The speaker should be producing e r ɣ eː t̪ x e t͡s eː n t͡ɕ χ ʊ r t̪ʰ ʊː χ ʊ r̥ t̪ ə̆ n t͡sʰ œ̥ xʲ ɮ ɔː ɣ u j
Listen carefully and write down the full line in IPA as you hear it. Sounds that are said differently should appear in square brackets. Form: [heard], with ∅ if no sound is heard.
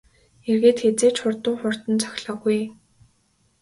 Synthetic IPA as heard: e r ɣ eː t̪ x e t͡s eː [∅] t͡ɕ χ ʊ r [t̪] ʊː χ ʊ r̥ t̪ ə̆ n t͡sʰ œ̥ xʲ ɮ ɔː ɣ u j